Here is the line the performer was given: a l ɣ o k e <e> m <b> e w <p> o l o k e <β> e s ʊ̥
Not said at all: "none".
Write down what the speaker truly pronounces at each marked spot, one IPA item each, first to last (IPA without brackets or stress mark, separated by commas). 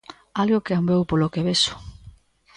a, b, p, β